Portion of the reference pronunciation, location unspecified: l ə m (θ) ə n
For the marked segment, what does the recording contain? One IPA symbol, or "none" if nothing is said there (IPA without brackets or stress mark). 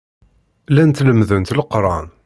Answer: ð